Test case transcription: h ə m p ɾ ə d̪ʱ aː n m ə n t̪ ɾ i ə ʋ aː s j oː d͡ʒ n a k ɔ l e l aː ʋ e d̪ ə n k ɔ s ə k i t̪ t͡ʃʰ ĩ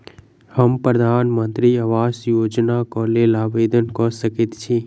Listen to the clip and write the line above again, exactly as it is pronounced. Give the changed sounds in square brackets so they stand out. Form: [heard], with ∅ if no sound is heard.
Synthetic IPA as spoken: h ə m p ɾ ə d̪ʱ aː n m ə n t̪ ɾ i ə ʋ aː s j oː d͡ʒ n a k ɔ l e l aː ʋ e d̪ ə n k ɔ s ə k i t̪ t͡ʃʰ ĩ